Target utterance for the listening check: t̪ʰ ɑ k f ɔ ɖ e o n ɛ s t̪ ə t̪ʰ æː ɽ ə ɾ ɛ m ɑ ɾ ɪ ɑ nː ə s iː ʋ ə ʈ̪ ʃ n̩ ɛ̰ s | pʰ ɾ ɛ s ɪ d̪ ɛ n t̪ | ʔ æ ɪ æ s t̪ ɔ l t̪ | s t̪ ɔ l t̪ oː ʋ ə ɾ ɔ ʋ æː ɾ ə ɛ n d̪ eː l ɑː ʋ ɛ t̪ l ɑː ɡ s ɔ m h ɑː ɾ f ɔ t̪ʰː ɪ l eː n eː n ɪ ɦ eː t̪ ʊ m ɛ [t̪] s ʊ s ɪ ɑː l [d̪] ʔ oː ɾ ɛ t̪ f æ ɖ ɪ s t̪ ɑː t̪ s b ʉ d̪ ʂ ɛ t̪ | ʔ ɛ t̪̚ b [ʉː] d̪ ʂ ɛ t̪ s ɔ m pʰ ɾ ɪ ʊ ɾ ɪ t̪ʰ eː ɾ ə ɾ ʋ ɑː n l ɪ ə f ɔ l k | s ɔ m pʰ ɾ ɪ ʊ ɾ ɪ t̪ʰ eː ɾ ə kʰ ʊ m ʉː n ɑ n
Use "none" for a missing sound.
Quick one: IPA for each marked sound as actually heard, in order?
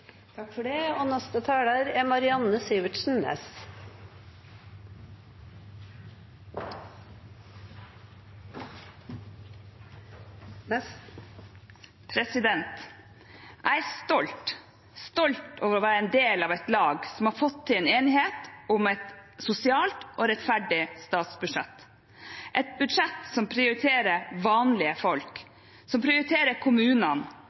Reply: t̪, t̪, ʉ

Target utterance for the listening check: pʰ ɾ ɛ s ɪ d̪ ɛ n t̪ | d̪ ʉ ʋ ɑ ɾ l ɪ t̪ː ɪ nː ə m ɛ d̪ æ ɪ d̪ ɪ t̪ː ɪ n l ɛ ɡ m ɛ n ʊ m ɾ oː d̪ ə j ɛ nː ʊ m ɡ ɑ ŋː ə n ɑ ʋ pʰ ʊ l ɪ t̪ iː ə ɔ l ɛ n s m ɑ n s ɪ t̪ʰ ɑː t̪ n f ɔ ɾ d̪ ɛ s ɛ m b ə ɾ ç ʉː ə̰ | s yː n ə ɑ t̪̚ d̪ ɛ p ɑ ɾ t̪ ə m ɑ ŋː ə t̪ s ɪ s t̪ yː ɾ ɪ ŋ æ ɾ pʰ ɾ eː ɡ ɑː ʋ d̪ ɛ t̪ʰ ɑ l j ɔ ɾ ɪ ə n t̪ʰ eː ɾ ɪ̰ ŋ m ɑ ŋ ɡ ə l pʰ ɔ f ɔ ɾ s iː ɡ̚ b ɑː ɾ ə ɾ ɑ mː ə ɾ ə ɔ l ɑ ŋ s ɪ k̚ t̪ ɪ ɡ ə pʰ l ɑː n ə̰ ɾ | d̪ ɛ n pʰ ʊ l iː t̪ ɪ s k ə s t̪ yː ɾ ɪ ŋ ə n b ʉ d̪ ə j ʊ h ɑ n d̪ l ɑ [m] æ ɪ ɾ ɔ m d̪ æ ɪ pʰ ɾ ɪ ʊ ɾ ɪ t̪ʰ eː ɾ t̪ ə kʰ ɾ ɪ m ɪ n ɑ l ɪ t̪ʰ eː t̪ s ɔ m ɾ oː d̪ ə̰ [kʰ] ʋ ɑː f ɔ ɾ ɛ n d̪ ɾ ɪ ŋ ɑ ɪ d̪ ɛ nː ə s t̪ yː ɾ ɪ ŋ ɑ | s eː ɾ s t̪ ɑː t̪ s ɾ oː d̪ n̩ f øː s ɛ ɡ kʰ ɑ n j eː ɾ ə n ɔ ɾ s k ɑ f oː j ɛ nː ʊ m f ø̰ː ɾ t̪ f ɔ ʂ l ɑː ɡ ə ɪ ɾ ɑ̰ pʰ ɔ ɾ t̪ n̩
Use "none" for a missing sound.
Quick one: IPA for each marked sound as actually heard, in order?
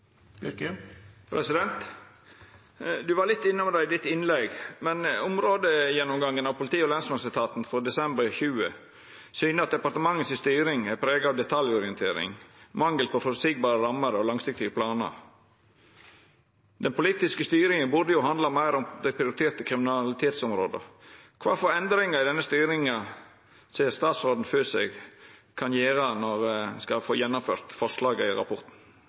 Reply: m, kʰ

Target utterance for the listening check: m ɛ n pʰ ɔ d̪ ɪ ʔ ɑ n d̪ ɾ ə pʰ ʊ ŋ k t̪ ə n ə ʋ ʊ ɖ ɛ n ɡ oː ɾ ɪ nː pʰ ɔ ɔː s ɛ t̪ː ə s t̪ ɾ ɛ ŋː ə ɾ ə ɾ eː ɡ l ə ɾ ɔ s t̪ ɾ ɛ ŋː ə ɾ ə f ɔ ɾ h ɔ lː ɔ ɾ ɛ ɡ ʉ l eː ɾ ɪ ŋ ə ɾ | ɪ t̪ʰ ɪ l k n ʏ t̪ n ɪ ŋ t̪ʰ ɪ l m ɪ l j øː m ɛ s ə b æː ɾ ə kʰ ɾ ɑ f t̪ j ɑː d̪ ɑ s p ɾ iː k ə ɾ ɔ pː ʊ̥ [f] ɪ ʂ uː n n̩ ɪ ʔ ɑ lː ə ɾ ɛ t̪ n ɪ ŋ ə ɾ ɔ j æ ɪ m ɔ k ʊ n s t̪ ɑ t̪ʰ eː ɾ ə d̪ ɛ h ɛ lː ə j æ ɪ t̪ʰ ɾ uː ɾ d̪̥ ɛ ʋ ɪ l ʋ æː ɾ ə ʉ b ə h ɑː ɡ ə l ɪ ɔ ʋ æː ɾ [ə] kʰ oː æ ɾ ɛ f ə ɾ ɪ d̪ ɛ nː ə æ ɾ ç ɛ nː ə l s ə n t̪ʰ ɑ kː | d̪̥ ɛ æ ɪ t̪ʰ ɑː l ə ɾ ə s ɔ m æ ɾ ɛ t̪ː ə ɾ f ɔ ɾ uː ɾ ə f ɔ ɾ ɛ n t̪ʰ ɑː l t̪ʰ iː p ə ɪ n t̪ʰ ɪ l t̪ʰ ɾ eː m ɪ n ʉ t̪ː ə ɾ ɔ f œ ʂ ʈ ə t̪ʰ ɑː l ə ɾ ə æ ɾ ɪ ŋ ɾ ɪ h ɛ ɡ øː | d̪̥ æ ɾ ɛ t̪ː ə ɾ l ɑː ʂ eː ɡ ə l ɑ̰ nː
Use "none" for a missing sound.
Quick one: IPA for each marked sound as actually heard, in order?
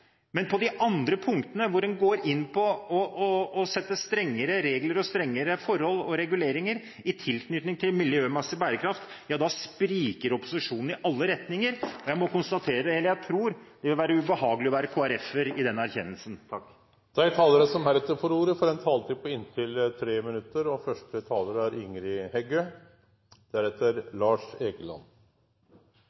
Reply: s, ə

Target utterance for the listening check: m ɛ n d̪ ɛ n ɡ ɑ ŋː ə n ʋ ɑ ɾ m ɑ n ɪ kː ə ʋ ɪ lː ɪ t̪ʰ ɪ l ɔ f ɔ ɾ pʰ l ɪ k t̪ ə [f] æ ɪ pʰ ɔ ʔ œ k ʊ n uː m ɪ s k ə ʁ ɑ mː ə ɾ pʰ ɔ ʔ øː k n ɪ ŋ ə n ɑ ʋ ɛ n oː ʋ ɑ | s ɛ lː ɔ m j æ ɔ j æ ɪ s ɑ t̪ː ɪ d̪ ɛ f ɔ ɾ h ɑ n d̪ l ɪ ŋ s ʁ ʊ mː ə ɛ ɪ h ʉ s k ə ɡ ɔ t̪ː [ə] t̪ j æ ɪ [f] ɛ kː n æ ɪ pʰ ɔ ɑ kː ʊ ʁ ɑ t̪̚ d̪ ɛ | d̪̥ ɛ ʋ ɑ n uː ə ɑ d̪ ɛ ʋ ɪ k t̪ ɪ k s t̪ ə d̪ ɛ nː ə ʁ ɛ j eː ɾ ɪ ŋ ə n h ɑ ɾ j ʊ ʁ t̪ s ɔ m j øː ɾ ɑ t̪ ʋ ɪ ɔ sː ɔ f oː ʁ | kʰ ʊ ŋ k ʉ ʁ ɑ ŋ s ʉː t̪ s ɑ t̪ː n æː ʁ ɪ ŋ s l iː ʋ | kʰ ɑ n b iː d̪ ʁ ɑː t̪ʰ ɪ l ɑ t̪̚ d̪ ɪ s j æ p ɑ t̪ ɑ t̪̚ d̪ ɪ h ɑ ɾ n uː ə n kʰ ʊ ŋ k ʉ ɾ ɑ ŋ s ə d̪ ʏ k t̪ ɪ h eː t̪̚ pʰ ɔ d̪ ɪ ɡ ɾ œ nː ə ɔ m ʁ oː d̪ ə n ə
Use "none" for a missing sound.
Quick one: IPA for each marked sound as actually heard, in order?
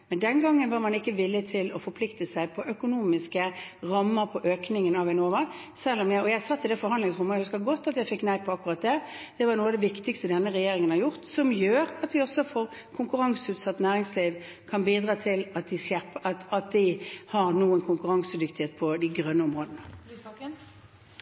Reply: s, ɑ, f

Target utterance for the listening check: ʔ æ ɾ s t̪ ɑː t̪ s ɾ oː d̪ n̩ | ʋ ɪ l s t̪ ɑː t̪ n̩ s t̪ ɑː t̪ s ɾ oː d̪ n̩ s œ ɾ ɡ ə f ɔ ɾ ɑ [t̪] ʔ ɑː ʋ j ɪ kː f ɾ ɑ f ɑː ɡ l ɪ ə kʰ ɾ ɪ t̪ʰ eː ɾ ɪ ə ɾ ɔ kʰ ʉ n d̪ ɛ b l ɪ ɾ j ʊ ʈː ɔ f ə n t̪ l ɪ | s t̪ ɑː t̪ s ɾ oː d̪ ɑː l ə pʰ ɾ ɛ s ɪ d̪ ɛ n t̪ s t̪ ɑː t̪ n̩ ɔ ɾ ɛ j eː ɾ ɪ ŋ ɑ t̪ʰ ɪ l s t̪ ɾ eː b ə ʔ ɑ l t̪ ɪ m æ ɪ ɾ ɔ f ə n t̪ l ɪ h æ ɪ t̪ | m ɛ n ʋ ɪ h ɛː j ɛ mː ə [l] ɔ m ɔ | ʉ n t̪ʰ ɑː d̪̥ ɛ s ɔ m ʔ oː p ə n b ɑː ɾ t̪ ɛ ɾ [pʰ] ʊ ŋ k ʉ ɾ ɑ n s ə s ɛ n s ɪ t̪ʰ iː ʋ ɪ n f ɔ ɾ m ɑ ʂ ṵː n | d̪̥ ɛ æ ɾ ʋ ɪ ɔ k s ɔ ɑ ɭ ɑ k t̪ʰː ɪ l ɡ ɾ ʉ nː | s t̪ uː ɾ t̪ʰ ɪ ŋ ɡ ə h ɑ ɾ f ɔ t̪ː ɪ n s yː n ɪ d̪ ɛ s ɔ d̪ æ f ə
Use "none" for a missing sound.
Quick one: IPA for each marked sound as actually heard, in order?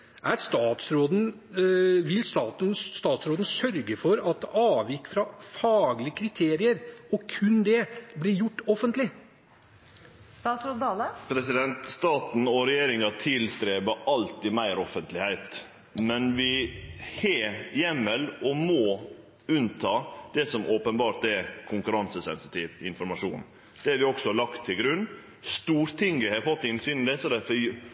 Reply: t̪, l, kʰ

